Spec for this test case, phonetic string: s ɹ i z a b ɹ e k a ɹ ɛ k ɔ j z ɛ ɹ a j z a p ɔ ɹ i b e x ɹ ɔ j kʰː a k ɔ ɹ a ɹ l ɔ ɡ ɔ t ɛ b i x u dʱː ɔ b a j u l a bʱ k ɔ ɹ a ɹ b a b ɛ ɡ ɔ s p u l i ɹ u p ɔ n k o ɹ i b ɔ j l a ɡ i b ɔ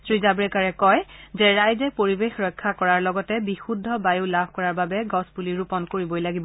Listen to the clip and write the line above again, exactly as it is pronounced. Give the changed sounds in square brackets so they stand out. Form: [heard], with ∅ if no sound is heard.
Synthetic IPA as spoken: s ɹ i z a b ɹ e k a ɹ ɛ k ɔ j z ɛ ɹ a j z [ɛ] p [o] ɹ i b e x ɹ ɔ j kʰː a k ɔ ɹ a ɹ l ɔ ɡ ɔ t ɛ b i x u dʱː ɔ b a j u l a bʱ k ɔ ɹ a ɹ b a b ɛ ɡ ɔ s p u l i ɹ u p ɔ n k o ɹ i b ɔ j l a ɡ i b ɔ